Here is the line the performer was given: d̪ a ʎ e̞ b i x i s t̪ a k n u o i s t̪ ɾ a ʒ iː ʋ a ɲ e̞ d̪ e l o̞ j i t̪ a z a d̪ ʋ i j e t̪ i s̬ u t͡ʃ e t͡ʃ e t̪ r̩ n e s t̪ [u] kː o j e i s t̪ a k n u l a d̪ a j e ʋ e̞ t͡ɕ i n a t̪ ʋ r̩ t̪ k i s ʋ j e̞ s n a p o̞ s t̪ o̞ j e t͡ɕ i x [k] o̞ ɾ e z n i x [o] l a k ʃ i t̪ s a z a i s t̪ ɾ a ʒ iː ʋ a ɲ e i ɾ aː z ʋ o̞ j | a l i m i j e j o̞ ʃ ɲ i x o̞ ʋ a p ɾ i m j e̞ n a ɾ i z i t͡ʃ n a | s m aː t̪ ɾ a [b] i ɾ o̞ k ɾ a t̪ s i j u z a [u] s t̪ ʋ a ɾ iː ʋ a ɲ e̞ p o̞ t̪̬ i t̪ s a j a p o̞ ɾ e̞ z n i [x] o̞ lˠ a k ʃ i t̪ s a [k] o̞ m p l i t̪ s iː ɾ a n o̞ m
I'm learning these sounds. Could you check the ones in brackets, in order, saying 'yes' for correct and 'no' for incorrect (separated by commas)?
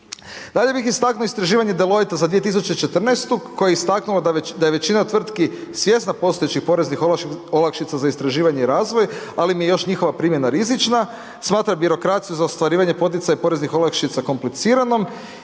yes, no, yes, yes, no, yes, yes